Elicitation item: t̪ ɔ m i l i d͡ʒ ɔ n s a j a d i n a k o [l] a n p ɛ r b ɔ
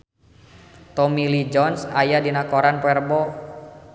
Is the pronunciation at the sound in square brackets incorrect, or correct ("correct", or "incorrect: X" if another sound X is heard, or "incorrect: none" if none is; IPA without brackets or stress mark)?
incorrect: ɾ